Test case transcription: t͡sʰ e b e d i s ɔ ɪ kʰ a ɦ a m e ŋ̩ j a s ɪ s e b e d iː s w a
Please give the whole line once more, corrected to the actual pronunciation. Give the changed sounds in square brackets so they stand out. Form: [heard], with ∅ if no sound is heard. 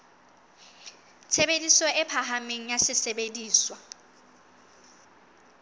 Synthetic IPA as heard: t͡sʰ e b e d i s ɔ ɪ [pʰ] a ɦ a m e ŋ̩ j a s ɪ s e b e d iː s w a

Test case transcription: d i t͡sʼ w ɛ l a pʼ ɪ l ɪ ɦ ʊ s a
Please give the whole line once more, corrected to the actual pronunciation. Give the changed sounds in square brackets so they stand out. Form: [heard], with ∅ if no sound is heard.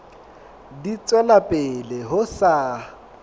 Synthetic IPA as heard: d i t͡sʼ w ɛ l a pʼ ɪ l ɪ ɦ ʊ s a

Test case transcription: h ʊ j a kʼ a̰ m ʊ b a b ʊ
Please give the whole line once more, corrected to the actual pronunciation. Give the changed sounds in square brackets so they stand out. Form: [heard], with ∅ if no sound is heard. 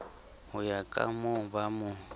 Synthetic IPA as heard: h ʊ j a kʼ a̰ m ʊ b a [m] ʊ

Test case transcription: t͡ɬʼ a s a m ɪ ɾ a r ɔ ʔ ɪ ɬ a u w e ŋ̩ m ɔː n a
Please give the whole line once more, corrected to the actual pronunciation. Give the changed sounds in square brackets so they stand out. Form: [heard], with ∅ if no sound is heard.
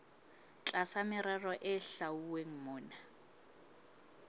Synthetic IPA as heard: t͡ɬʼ a s a m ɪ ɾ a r ɔ ʔ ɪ ɬ a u w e ŋ̩ m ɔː n a

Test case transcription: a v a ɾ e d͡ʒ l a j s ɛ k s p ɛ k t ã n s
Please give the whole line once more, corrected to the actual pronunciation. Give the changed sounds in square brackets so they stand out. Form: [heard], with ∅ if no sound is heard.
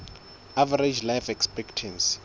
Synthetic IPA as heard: a v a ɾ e d͡ʒ l a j [f] ɛ k s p ɛ k [tʰ] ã n s

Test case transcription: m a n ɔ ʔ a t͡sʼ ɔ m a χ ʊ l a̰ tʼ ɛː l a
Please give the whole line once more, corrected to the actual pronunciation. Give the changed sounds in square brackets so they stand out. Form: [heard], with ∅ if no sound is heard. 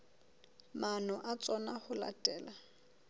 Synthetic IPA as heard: m a n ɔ ʔ a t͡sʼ ɔ [n] a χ ʊ l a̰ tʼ ɛː l a

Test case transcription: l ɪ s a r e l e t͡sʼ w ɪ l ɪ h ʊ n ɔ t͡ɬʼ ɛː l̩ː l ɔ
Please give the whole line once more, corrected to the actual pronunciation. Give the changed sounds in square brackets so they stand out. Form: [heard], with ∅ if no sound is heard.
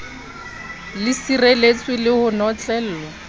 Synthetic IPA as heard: l ɪ s [i] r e l e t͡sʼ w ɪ l ɪ h ʊ n ɔ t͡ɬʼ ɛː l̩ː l ɔ

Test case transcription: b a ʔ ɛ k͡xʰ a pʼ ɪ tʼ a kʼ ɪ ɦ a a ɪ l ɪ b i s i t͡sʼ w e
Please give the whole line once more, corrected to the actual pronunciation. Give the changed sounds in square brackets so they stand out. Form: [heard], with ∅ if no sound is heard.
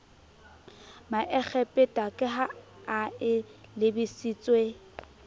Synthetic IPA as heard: [m] a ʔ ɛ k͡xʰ [ɛ] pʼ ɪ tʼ a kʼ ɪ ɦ a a ɪ l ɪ b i s i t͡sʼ w e

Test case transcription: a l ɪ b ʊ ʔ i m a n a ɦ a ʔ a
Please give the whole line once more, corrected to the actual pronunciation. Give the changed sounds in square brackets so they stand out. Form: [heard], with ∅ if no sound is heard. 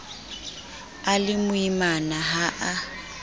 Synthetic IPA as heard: a l ɪ [m] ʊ [∅] i m a n a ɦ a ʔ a

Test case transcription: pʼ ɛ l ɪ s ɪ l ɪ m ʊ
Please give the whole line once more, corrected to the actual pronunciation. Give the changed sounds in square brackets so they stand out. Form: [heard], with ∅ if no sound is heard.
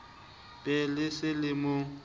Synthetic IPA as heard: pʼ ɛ l ɪ s ɪ l ɪ m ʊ

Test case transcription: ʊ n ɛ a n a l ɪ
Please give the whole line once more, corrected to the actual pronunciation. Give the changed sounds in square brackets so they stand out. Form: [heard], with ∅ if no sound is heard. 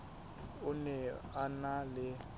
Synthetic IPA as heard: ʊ n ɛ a n a l ɪ

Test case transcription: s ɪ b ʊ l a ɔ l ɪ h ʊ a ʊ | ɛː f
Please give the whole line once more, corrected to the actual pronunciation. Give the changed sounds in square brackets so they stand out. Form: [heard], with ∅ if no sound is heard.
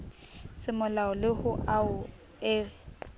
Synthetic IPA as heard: s ɪ [m] ʊ l a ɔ l ɪ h ʊ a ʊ | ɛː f

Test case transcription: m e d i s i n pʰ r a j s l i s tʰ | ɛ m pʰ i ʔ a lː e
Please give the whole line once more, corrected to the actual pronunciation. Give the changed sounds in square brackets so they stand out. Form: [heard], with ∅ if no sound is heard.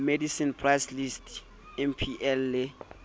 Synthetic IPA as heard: m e d i s i n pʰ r a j s l i s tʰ | ɛ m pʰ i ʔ [ɛ] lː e

